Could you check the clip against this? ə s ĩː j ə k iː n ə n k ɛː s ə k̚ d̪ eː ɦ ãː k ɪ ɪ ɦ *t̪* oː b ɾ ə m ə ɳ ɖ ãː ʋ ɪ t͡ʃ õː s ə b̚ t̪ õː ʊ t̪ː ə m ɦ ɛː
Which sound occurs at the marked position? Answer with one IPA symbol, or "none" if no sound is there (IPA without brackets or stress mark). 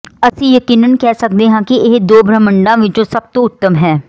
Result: d̪